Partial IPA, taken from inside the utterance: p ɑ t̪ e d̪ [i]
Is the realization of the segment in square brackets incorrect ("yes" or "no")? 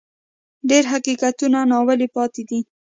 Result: no